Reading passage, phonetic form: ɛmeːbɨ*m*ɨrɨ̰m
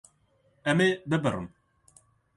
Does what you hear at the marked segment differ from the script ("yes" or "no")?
yes